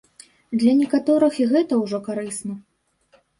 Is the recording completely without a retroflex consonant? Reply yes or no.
no